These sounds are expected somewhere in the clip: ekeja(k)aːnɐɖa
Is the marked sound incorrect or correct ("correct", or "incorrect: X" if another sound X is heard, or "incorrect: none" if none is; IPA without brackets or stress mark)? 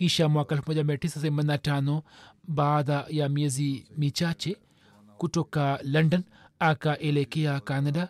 correct